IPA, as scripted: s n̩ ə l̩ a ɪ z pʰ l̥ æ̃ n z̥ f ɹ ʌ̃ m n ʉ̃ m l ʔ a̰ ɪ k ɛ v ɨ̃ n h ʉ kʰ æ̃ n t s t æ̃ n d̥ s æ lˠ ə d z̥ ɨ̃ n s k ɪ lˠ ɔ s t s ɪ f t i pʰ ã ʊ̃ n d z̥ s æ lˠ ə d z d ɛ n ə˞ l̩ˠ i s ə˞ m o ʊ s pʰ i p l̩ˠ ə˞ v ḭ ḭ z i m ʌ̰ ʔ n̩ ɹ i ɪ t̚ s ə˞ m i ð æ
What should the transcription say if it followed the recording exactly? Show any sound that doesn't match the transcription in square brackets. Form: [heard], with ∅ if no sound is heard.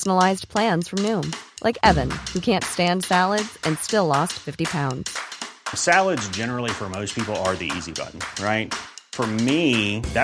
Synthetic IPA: s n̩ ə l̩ a ɪ z pʰ l̥ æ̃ n z̥ f ɹ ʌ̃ m n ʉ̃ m l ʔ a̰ ɪ k ɛ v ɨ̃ n h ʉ kʰ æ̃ n t s t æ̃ n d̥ s æ lˠ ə d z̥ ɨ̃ n s [t] ɪ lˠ ɔ s t [f] ɪ f t i pʰ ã ʊ̃ n d z̥ s æ lˠ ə d z [d͡ʒ] ɛ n ə˞ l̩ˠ i [f] ə˞ m o ʊ s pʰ i p l̩ˠ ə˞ [ð] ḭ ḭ z i [b] ʌ̰ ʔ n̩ ɹ [a] ɪ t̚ [f] ə˞ m i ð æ